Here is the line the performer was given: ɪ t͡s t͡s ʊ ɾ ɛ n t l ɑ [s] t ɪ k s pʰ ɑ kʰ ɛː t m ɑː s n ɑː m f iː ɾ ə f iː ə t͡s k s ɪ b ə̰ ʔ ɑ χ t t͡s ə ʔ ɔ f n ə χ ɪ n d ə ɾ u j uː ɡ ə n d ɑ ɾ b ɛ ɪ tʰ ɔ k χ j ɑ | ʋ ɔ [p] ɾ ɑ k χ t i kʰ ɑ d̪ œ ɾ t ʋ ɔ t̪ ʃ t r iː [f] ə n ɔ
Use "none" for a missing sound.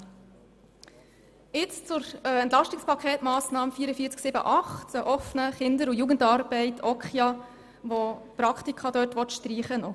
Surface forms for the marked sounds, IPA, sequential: ʃ, p, χ

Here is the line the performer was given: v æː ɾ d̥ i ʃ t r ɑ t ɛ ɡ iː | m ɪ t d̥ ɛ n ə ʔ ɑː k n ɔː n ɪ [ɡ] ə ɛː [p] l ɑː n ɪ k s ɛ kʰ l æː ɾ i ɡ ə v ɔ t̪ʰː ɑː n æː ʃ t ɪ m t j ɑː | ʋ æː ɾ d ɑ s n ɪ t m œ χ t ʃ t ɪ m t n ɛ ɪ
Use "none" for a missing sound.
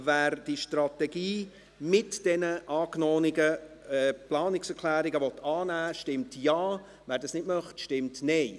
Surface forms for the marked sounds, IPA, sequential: ɡ, p

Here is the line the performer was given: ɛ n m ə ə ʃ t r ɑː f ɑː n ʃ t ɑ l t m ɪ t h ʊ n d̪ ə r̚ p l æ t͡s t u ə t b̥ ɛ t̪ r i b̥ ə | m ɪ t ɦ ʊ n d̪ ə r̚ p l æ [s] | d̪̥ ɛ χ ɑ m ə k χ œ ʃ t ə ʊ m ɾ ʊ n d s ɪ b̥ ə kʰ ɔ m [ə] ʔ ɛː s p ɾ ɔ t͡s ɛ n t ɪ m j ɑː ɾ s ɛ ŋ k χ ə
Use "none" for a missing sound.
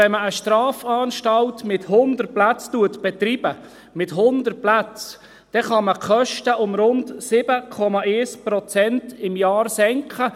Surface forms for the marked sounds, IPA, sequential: t͡s, ɑ

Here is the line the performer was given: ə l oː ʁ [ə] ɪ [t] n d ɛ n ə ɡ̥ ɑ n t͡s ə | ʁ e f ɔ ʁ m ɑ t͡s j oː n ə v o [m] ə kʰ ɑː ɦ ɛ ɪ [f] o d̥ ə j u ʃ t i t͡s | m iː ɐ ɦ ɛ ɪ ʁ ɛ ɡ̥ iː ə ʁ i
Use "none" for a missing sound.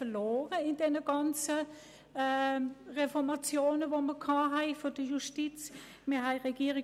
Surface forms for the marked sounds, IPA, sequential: ə, none, m, f

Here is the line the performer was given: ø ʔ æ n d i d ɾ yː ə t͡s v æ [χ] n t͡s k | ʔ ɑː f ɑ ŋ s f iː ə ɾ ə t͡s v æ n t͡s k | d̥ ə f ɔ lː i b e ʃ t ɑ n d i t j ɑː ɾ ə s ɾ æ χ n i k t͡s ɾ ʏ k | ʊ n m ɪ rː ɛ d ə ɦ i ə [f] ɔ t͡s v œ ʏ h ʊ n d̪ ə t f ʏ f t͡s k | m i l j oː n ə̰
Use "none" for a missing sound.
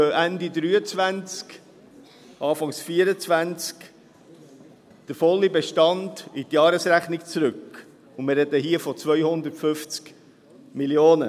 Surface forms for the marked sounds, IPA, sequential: none, f

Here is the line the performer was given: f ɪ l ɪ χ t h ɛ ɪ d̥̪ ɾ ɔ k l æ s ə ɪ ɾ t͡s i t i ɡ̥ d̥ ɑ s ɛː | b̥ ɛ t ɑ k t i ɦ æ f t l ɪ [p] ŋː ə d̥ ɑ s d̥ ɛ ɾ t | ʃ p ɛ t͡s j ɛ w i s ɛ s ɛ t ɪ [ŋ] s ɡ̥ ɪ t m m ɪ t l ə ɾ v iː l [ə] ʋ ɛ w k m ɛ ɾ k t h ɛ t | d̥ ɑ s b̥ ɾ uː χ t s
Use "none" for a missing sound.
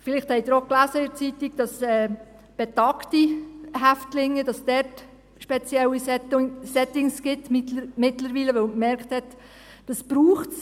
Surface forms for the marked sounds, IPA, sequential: none, ŋ, ə

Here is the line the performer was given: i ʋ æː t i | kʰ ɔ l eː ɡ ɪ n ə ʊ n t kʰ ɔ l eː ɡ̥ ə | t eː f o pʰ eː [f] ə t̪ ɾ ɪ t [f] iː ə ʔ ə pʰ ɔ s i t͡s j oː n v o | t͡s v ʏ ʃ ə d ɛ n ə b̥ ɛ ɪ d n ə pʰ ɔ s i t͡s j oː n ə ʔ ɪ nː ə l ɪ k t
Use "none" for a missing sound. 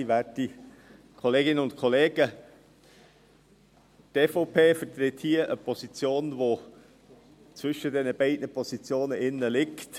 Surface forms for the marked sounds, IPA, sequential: f, h

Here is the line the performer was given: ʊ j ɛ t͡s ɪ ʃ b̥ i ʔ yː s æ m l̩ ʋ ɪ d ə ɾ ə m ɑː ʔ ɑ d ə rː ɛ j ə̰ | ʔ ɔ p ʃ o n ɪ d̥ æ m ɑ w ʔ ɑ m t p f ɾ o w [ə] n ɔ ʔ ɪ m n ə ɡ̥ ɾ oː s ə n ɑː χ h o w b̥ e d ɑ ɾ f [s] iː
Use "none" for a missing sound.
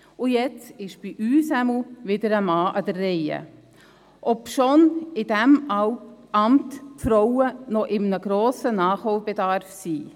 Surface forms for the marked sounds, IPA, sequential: ə, s

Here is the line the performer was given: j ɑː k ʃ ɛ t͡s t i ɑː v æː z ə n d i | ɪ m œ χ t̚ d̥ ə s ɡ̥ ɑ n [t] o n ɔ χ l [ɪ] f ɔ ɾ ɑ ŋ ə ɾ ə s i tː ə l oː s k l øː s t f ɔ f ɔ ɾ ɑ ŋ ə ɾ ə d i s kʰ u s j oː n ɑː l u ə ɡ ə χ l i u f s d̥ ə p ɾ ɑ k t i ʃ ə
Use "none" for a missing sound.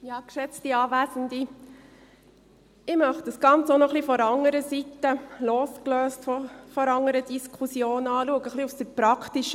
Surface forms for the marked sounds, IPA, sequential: t͡s, i

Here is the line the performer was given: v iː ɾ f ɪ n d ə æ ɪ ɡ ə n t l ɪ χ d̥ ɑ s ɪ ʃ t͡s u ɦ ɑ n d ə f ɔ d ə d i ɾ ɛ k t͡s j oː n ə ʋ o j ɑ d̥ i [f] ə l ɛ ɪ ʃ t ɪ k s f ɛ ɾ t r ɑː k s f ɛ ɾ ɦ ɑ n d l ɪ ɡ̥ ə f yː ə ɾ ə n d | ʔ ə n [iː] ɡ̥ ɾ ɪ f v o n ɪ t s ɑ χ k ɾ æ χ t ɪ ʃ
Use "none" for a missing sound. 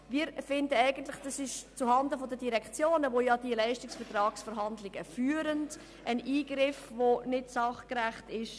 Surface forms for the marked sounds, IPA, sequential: none, iː

